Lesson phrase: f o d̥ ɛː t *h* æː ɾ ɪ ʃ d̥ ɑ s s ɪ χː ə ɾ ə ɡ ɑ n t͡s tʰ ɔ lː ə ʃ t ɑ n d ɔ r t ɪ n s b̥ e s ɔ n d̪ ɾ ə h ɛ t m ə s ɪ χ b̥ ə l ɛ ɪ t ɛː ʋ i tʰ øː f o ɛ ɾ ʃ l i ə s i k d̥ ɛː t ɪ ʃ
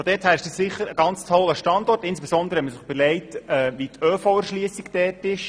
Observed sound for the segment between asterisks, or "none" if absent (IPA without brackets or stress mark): h